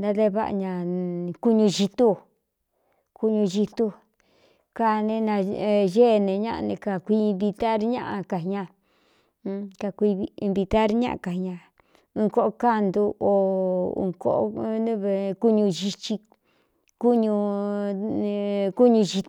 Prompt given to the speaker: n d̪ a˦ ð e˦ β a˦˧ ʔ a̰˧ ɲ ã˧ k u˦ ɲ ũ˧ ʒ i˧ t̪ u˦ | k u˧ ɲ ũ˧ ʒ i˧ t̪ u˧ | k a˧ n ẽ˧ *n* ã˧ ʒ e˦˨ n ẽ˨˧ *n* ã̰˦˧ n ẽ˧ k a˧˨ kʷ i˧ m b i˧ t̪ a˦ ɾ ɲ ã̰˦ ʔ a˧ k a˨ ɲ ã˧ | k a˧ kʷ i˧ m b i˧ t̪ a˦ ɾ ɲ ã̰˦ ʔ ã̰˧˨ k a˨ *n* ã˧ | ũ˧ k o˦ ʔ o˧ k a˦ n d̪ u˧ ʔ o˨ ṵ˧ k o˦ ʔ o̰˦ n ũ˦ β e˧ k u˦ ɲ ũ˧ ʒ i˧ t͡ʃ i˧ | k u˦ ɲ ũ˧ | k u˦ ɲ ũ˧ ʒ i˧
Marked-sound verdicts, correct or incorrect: correct, incorrect, incorrect

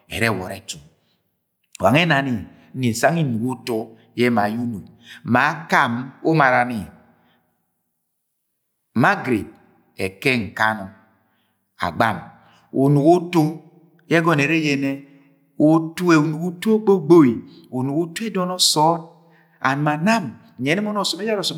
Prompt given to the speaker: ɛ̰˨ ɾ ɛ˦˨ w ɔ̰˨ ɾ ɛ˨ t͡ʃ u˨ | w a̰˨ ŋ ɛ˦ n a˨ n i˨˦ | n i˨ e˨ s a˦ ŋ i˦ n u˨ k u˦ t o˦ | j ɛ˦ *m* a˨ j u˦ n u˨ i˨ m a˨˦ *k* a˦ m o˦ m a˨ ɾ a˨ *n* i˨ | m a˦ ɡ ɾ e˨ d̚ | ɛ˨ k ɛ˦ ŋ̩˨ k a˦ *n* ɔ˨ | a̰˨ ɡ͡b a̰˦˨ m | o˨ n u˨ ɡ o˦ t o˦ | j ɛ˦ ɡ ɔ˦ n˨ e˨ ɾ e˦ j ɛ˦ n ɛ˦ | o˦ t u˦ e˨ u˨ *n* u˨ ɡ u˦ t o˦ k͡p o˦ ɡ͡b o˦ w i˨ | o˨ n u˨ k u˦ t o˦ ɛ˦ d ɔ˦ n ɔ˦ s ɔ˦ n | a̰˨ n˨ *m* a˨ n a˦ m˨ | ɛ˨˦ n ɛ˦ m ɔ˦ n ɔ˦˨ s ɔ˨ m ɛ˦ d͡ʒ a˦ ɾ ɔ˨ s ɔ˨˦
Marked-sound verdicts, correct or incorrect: correct, correct, correct, correct, correct, correct

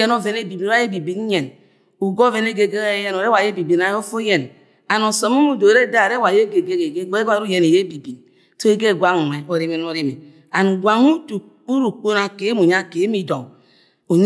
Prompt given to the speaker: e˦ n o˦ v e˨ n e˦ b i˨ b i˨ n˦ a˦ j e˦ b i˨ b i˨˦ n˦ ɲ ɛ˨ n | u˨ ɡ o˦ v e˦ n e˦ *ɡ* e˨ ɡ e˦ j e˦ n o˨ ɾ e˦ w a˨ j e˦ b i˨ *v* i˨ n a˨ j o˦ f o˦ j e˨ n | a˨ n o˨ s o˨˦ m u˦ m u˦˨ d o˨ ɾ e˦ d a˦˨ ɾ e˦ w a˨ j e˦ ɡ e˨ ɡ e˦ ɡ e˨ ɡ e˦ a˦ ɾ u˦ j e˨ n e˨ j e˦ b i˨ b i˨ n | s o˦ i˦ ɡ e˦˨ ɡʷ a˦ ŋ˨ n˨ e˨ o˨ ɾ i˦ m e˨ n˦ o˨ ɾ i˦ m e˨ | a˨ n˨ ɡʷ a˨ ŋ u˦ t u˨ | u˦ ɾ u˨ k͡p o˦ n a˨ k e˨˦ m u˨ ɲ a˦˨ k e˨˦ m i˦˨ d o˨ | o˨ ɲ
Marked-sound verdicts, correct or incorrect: correct, incorrect

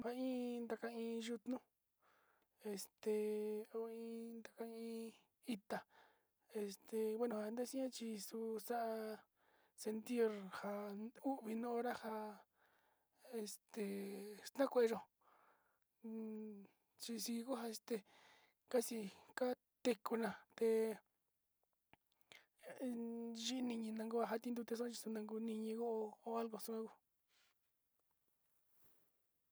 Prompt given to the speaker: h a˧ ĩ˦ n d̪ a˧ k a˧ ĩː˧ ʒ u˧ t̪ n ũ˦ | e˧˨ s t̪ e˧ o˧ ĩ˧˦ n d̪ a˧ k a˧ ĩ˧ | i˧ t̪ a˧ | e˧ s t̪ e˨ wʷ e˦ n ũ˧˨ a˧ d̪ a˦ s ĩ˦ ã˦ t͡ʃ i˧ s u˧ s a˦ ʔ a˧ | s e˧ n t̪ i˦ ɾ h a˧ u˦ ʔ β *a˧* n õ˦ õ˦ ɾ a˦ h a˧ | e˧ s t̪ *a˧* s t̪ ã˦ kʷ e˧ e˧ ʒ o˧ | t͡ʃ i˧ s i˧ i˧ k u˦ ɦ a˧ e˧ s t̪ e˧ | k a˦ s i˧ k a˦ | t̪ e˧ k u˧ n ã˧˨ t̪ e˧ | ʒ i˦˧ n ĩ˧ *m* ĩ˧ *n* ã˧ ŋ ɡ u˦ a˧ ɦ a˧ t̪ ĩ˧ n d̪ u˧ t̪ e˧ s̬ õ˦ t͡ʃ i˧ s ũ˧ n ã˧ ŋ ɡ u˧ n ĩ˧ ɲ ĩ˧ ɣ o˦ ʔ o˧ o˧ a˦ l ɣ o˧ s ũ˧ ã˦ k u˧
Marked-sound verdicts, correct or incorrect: incorrect, incorrect, incorrect, correct

